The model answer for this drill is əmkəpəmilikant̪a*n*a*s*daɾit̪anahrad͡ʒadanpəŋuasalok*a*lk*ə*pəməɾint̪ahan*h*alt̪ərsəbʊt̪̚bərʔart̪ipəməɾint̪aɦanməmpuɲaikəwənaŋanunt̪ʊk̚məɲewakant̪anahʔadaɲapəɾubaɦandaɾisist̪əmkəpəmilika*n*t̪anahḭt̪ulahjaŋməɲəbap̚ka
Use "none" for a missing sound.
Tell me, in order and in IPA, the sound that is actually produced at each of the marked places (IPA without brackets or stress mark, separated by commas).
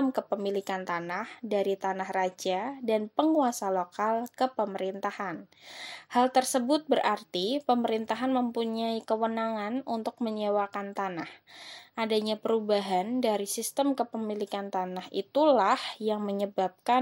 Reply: n, h, a, ə, h, n